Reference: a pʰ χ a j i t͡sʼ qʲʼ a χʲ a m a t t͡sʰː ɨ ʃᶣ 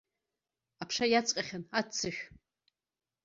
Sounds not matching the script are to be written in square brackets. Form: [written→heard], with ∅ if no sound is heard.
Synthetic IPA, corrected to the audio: a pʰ [χ→ʂ] a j [i→a] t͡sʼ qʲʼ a χʲ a [m→n] a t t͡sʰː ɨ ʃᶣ